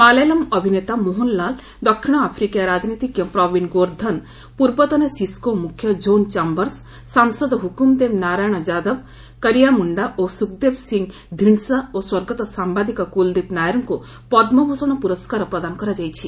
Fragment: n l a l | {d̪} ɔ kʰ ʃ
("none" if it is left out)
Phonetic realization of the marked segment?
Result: d̪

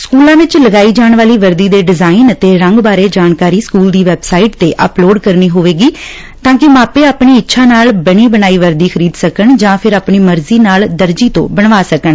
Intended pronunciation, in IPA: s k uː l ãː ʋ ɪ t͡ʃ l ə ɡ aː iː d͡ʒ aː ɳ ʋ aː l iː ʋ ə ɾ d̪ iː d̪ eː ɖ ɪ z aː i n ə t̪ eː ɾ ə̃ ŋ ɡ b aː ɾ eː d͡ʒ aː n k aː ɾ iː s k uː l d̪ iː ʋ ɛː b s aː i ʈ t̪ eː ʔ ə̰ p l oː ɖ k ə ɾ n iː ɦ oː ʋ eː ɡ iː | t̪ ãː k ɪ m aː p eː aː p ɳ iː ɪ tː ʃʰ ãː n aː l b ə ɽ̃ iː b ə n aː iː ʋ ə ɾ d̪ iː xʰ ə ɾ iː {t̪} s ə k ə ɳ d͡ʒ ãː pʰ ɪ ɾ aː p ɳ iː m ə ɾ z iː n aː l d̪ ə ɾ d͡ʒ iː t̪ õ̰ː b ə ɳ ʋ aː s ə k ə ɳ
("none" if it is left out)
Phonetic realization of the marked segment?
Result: d̪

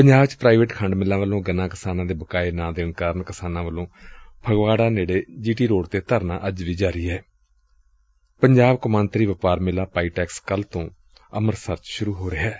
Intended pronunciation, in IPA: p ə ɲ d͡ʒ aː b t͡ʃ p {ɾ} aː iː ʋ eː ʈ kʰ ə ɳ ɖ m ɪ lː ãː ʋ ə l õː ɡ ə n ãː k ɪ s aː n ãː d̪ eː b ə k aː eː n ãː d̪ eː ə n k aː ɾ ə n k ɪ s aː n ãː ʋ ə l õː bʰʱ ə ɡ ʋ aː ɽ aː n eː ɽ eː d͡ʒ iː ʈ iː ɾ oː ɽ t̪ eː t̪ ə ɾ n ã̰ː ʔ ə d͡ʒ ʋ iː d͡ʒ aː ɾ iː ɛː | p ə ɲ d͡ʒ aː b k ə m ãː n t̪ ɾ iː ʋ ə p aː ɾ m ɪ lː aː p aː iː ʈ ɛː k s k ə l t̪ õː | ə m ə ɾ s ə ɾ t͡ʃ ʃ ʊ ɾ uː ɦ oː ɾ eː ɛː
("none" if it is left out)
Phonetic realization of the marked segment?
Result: ɾ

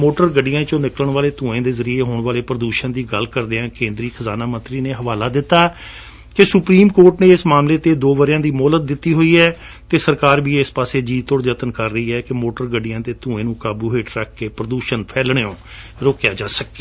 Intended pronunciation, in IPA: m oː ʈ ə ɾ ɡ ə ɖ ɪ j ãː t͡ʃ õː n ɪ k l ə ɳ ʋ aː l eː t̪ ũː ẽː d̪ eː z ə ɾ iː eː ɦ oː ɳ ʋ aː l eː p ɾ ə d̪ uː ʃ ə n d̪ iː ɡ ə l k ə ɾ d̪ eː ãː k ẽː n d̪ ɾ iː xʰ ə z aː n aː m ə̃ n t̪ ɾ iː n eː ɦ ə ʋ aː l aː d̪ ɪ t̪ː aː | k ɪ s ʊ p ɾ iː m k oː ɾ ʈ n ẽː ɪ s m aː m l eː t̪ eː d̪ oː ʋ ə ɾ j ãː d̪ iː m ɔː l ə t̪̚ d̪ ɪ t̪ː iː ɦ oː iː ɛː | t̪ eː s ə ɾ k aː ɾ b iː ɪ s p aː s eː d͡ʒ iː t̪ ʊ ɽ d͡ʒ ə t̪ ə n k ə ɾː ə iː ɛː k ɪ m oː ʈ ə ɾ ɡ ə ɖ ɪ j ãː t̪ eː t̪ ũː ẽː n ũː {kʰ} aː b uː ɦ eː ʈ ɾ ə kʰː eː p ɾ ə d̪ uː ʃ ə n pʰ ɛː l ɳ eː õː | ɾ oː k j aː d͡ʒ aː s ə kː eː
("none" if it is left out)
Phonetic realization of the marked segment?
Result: k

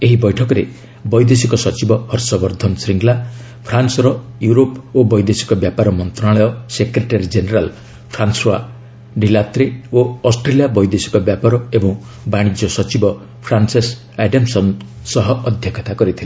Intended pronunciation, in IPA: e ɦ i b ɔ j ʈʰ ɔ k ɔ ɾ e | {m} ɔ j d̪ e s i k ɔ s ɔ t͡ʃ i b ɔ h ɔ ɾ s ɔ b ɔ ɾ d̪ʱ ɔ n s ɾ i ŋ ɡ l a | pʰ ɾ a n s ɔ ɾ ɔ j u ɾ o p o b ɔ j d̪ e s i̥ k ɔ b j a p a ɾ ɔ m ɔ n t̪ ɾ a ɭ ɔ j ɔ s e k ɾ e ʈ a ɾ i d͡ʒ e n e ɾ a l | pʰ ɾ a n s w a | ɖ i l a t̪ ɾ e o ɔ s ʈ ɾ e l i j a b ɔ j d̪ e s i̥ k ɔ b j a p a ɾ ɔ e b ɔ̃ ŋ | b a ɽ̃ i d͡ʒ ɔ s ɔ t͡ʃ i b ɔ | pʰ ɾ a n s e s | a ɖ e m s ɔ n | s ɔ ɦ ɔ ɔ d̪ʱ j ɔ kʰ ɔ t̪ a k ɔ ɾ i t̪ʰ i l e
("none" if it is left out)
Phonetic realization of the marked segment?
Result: b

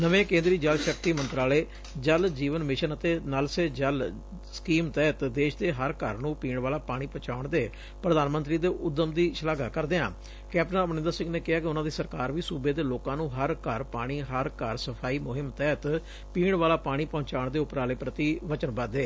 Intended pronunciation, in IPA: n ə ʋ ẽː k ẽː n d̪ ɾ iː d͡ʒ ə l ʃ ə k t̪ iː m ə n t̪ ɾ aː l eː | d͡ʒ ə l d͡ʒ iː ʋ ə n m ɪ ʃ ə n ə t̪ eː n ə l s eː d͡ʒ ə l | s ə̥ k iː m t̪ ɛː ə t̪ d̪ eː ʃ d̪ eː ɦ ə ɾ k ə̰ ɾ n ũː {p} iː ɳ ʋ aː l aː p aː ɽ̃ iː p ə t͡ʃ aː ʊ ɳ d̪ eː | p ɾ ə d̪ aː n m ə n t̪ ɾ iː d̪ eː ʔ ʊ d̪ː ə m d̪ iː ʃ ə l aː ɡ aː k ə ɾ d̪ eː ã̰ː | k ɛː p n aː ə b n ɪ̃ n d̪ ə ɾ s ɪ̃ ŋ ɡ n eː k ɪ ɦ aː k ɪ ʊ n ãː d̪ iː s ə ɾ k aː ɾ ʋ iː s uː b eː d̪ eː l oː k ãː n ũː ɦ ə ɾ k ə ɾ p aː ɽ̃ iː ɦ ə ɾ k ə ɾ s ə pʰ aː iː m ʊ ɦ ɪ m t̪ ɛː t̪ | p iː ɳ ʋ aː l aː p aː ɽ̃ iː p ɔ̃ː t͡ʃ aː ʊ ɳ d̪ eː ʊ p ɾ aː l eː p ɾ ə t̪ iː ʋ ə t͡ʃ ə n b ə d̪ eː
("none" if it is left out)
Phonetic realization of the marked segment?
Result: p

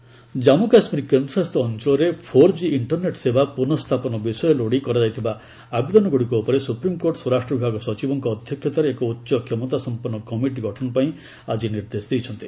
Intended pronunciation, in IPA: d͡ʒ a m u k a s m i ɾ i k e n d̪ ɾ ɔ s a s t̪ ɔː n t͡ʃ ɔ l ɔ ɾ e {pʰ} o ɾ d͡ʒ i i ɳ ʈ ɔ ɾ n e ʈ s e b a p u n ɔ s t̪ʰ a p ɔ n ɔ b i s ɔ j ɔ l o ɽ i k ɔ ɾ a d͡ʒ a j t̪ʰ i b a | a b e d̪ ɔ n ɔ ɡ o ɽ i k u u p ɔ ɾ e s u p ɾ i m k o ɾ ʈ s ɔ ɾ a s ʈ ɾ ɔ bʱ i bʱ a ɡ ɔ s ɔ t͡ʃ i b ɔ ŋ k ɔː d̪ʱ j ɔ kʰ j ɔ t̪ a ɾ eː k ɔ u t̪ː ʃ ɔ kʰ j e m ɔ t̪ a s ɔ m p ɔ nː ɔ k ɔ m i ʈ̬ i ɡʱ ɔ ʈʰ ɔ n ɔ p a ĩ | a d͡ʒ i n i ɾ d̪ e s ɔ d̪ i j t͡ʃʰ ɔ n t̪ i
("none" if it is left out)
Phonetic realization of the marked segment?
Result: pʰ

